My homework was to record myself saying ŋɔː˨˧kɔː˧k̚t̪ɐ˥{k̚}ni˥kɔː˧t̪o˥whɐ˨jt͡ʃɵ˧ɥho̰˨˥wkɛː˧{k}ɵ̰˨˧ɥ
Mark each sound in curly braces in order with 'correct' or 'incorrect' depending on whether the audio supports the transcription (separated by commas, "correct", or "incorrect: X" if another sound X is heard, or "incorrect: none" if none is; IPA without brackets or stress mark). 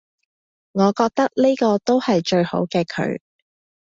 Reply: correct, incorrect: kʰ